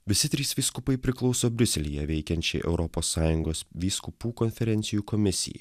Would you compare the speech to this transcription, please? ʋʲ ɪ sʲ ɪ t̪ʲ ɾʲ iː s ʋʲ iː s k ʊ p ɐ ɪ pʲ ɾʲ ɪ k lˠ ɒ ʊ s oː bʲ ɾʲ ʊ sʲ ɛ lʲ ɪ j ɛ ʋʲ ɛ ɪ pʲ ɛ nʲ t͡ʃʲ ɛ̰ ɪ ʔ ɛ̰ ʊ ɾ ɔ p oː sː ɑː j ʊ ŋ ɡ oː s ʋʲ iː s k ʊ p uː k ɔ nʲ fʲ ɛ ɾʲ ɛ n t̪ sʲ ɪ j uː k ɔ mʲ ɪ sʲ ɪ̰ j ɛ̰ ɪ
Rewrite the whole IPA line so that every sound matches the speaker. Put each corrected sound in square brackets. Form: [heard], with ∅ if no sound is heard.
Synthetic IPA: ʋʲ ɪ sʲ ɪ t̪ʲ ɾʲ iː s ʋʲ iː s k ʊ p ɐ ɪ pʲ ɾʲ ɪ k lˠ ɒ ʊ s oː bʲ ɾʲ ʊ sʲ ɛ lʲ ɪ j ɛ ʋʲ ɛ ɪ [kʲ] ɛ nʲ t͡ʃʲ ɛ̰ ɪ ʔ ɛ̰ ʊ ɾ ɔ p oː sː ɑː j ʊ ŋ ɡ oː s ʋʲ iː s k ʊ p uː k ɔ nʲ fʲ ɛ ɾʲ ɛ n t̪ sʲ ɪ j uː k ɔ mʲ ɪ sʲ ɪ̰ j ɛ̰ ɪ